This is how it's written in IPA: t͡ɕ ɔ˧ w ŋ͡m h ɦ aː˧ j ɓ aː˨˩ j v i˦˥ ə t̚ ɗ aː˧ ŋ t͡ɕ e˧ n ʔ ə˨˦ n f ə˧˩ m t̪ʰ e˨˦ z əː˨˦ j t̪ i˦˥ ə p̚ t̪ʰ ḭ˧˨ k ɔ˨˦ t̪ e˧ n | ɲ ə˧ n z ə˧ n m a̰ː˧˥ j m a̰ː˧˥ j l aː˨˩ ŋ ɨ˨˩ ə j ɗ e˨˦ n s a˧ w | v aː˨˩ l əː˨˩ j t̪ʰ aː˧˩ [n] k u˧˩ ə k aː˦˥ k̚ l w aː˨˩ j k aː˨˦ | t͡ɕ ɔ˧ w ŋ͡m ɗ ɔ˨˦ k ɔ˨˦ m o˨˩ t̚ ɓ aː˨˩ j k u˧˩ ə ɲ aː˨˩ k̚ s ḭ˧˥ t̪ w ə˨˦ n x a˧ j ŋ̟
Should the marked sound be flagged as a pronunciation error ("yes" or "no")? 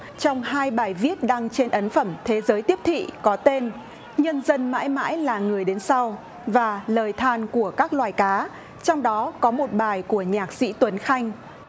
no